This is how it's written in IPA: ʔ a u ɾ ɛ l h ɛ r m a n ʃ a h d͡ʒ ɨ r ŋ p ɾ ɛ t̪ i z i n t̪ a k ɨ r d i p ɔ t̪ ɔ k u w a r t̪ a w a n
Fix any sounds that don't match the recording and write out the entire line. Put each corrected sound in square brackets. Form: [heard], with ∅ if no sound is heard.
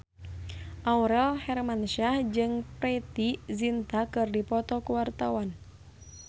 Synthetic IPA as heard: ʔ a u ɾ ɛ l h ɛ r m a n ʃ a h d͡ʒ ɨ [∅] ŋ p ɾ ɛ t̪ i z i n t̪ a k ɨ r d i p ɔ t̪ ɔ k u w a r t̪ a w a n